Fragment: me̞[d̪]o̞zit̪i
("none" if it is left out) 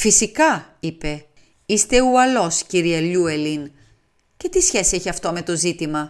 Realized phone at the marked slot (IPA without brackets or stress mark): t̪